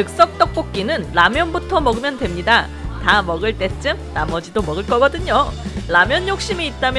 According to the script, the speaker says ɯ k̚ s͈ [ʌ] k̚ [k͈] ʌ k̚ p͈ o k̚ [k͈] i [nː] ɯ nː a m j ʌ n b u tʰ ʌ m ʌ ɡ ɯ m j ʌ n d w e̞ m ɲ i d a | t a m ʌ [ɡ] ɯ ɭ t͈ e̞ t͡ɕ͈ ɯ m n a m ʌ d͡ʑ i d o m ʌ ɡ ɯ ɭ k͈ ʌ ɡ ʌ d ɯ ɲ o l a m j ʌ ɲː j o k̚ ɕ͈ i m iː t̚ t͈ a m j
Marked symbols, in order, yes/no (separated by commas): yes, no, yes, no, yes